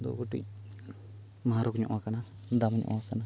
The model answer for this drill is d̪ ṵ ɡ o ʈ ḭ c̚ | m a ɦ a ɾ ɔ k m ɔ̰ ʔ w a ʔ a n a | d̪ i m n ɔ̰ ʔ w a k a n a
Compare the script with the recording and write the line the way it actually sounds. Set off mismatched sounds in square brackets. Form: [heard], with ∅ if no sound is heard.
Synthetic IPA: d̪ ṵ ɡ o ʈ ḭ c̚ | m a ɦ a ɾ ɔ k [ɲ] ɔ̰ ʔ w a [k] a n a | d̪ [a] m [ɲ] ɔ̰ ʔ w a k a n a

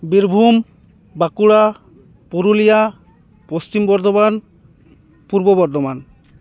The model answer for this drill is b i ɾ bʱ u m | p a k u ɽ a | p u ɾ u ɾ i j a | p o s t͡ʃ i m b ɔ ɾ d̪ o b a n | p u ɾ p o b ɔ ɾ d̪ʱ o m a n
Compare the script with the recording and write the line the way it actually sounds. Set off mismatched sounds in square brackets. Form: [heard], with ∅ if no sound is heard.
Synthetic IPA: b i ɾ bʱ u m | [b] a k u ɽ a | p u ɾ u [l] i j a | p o s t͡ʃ i m b ɔ ɾ d̪ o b a n | p u ɾ [b] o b ɔ ɾ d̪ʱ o m a n

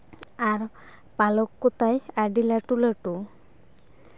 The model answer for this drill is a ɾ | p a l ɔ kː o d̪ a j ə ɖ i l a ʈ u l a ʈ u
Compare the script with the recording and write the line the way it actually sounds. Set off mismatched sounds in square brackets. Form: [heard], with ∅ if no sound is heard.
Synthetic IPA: a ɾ | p a l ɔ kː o [t̪] a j [a] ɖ i l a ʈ u l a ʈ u

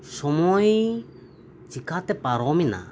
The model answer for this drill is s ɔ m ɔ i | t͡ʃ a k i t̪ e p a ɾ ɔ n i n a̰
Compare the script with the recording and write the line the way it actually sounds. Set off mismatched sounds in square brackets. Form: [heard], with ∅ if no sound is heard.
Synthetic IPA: s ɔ m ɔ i | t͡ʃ [i] k [a] t̪ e p a ɾ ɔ [m] i n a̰

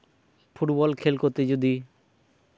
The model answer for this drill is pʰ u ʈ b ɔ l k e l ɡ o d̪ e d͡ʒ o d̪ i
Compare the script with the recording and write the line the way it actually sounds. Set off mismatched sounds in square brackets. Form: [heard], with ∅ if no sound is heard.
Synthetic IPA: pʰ u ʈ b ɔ l [kʰ] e l [k] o [t̪] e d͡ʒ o d̪ i

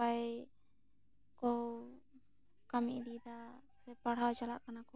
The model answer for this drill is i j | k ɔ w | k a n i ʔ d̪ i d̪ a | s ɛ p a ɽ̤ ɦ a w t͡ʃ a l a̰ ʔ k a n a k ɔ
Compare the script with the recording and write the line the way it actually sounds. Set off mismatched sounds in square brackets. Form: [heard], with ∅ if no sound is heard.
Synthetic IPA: [a] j | k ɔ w | k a [m] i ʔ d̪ i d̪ a | s ɛ p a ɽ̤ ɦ a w t͡ʃ a l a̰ ʔ k a n a k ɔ

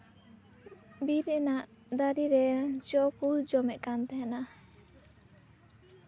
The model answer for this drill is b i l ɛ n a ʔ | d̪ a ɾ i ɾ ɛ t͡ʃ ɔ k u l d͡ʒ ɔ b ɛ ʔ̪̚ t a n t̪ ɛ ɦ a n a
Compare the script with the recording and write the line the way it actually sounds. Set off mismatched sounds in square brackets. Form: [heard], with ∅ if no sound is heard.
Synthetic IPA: b i [ɾ] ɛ n a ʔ | d̪ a ɾ i ɾ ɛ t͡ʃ ɔ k u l d͡ʒ ɔ [m] ɛ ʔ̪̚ [k] a n t̪ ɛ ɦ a n a

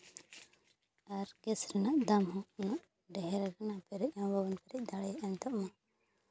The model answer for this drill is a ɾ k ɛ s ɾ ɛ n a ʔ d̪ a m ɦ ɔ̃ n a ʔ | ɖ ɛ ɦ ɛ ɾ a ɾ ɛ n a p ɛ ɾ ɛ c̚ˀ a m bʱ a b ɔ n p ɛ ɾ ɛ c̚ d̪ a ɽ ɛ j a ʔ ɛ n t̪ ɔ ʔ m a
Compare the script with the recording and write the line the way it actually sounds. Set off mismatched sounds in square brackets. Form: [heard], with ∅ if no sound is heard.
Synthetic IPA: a ɾ k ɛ s ɾ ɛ n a ʔ d̪ a m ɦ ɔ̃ n a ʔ | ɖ ɛ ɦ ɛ ɾ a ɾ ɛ n a p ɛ ɾ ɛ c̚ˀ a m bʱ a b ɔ n p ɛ ɾ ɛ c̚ d̪ a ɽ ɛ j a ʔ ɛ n t̪ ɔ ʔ m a

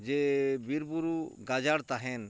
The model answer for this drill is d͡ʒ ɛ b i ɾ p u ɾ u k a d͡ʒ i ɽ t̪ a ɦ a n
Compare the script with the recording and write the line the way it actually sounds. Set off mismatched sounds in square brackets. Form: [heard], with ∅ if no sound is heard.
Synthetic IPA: d͡ʒ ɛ b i ɾ [b] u ɾ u [ɡ] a d͡ʒ [a] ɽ t̪ a ɦ [ɛ] n

